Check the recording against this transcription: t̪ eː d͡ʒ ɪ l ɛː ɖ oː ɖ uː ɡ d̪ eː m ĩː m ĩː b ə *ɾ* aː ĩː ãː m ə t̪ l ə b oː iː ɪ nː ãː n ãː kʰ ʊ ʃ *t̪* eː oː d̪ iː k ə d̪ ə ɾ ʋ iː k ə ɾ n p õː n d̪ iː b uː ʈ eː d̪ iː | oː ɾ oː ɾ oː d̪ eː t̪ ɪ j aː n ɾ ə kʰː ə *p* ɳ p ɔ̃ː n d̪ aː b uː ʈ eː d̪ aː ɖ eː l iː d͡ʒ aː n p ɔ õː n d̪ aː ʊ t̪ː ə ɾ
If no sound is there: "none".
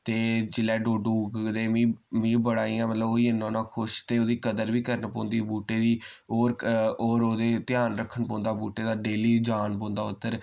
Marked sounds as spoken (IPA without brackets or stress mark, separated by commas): ɽ, t̪, none